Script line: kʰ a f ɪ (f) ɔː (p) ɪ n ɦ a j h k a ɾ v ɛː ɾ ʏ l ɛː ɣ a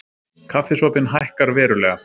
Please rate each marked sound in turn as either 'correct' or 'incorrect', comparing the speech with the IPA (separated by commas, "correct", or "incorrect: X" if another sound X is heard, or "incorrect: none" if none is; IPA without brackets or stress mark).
incorrect: s, correct